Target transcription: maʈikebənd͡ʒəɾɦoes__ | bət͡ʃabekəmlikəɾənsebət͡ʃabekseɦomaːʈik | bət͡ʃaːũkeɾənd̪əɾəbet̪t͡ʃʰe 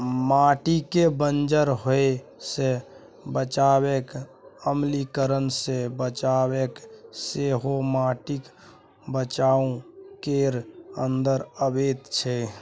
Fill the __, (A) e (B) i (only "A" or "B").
A